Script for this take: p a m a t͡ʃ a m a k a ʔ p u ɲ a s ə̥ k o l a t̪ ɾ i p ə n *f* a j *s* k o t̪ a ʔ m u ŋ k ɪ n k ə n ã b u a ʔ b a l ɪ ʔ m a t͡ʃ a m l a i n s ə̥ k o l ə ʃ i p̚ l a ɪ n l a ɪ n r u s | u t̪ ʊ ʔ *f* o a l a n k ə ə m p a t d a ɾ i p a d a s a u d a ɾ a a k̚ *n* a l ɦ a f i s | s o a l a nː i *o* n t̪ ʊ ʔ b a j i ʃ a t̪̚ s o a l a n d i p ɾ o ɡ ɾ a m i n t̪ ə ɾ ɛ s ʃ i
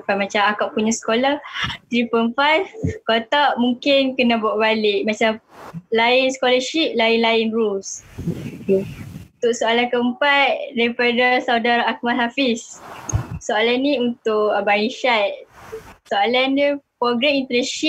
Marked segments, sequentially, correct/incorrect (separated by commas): correct, incorrect, incorrect, incorrect, incorrect